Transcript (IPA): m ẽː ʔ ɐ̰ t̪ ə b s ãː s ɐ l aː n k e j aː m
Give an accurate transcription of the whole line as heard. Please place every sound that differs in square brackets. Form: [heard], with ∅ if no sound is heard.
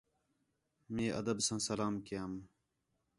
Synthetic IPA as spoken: m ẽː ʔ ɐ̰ [d̪] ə b s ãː s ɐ l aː [m] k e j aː m